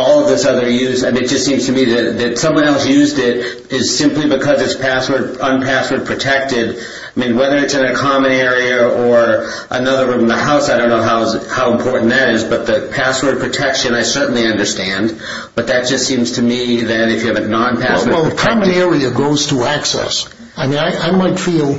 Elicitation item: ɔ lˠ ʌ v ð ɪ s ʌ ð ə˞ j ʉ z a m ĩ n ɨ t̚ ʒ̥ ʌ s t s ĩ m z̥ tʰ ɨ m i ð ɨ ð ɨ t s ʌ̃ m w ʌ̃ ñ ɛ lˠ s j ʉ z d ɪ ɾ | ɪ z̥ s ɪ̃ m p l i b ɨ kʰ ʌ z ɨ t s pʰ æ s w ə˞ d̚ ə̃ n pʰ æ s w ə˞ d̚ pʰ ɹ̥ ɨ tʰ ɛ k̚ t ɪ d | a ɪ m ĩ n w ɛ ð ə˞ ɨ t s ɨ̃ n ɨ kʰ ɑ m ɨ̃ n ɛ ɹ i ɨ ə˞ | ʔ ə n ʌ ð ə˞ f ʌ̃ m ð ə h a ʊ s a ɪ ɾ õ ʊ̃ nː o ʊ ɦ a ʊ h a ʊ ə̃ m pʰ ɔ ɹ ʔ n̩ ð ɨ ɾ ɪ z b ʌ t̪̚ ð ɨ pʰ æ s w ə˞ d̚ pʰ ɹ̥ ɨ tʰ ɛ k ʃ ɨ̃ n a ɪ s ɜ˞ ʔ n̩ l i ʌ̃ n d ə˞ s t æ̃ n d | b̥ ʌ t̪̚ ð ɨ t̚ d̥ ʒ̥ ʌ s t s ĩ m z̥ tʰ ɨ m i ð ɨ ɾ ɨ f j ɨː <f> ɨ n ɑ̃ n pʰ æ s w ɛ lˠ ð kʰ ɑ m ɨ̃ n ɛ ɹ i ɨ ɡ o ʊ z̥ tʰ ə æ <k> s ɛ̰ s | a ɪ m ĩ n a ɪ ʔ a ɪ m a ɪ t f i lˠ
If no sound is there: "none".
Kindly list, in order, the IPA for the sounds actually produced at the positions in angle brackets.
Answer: v, k

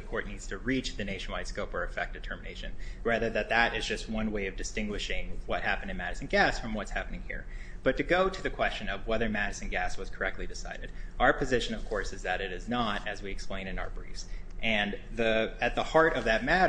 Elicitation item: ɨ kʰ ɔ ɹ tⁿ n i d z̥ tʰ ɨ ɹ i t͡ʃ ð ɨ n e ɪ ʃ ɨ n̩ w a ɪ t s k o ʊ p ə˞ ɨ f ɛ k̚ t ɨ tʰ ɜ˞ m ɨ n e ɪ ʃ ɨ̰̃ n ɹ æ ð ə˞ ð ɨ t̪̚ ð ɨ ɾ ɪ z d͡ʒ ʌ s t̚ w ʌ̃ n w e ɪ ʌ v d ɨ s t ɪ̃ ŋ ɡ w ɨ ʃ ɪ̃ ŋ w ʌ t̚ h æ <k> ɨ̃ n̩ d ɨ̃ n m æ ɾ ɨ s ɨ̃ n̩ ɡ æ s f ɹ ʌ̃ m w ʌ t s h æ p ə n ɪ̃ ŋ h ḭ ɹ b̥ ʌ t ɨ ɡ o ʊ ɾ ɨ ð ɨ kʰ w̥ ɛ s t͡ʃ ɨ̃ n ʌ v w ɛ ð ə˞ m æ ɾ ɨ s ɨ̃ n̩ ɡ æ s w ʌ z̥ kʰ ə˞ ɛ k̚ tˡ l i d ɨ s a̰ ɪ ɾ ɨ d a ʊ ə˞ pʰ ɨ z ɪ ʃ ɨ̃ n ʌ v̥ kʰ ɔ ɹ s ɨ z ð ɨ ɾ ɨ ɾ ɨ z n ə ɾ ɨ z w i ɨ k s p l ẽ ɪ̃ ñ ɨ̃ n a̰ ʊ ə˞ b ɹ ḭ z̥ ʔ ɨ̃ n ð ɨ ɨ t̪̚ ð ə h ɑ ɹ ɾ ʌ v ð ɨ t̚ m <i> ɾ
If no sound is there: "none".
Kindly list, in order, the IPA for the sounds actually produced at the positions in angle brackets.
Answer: p, æ

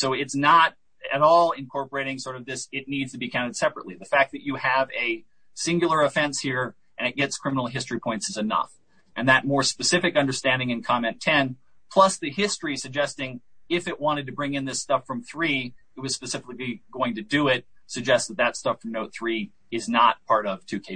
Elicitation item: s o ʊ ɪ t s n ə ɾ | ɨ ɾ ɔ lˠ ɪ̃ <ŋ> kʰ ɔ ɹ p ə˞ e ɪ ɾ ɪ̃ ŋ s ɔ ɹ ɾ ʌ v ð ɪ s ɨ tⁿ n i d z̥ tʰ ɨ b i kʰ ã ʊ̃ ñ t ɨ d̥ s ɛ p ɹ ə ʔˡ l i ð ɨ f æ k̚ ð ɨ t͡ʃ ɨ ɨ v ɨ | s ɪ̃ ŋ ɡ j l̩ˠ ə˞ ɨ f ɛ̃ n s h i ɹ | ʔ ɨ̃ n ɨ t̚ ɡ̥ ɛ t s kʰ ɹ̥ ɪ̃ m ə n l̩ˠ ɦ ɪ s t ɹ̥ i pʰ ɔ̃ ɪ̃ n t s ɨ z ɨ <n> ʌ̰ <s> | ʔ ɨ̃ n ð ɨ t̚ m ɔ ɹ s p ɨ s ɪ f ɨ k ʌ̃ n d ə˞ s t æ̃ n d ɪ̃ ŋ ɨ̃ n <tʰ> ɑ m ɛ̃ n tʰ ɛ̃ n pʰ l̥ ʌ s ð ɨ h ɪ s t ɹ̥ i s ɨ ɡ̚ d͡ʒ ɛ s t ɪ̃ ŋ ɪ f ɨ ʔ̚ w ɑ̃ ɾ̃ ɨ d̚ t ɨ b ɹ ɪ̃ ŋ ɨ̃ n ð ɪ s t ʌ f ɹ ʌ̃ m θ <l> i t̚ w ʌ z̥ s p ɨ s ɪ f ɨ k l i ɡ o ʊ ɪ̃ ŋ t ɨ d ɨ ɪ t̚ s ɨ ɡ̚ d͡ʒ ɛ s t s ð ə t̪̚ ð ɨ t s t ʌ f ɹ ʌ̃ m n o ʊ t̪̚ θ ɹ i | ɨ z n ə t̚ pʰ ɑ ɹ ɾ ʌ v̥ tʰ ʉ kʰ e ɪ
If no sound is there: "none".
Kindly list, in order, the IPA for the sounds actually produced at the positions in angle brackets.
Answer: n, n, f, kʰ, ɹ

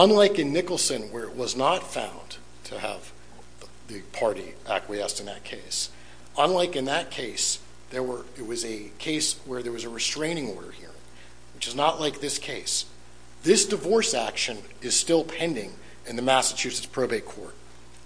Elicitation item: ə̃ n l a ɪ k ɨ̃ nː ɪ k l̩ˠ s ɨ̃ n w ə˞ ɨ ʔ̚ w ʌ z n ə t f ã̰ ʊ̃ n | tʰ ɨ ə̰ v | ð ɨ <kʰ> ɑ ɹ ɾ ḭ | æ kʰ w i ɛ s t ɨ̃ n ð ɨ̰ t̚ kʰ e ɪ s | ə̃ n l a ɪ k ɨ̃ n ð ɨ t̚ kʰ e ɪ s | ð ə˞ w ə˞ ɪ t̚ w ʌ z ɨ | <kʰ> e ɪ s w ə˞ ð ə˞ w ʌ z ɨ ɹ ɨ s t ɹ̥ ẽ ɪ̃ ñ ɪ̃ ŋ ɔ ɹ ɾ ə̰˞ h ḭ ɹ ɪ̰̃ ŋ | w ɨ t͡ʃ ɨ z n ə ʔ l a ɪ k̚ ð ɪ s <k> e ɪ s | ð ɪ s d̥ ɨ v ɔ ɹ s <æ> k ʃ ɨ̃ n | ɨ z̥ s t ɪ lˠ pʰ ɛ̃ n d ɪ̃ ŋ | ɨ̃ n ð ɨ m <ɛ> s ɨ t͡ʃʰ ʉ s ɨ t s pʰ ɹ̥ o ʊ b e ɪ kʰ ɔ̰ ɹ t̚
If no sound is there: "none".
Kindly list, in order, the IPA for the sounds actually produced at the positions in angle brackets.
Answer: pʰ, kʰ, kʰ, æ, æ

